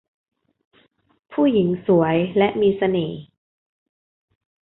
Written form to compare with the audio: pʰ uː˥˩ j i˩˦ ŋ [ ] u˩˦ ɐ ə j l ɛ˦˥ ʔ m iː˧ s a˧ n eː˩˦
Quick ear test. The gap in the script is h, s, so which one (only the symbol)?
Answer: s